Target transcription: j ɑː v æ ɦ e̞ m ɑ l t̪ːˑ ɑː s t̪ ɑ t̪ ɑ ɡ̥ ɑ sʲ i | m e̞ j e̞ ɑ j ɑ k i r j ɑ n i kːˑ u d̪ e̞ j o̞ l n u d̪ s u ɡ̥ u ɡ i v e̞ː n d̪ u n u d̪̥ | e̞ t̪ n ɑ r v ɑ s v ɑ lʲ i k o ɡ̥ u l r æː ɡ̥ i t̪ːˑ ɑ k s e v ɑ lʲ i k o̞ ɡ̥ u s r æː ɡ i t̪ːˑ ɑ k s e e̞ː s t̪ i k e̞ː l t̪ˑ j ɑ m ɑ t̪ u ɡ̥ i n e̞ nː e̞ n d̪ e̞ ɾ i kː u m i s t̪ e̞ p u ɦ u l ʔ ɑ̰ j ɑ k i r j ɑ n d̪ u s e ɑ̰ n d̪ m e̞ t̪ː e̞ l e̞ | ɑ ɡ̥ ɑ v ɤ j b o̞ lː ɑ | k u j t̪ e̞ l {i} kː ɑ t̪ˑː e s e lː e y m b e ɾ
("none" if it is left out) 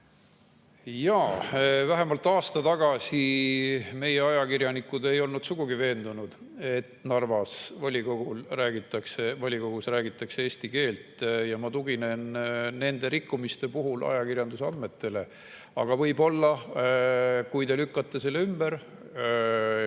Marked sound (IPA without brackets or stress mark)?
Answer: y